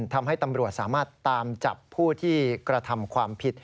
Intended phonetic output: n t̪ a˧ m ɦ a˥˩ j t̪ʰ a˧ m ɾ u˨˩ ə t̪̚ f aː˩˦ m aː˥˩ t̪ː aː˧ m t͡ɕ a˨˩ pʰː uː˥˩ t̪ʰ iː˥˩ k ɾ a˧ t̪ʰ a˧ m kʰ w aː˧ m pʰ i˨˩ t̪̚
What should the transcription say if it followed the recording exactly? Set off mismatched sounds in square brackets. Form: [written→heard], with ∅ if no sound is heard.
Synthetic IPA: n [t̪→t̪ʰ] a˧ m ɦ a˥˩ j [t̪ʰ→t̪] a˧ m ɾ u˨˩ ə t̪̚ [f→s] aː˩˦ m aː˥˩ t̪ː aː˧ m t͡ɕ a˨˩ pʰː uː˥˩ t̪ʰ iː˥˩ k ɾ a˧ t̪ʰ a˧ m kʰ w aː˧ m pʰ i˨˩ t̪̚